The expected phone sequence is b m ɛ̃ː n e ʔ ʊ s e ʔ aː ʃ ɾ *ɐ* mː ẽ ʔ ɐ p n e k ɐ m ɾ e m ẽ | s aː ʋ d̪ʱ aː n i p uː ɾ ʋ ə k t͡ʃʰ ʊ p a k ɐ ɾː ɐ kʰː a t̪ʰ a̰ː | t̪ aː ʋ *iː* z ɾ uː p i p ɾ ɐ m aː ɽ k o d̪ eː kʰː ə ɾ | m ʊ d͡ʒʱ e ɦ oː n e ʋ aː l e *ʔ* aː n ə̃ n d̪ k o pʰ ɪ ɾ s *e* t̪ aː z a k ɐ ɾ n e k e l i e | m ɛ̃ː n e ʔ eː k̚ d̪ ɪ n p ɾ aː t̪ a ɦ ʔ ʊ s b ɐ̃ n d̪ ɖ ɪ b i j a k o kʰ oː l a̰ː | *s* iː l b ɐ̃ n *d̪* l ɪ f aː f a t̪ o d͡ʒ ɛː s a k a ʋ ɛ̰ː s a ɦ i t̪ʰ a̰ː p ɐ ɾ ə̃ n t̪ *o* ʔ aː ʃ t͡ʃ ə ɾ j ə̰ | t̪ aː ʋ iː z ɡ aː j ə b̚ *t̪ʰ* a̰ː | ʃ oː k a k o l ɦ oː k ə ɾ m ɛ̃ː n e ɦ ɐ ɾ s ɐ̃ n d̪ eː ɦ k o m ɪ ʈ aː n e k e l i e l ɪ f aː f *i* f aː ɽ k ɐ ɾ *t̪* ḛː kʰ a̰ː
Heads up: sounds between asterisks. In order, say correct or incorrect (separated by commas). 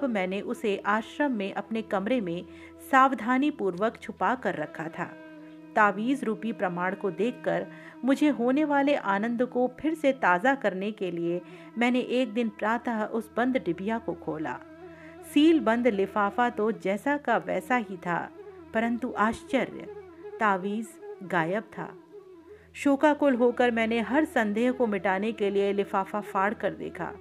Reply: incorrect, correct, correct, correct, correct, correct, incorrect, correct, incorrect, incorrect